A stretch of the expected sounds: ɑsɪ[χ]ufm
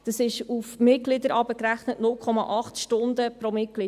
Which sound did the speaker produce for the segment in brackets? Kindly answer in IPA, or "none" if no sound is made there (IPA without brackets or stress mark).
ʃ